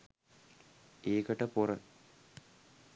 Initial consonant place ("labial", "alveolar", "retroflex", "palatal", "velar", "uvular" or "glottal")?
velar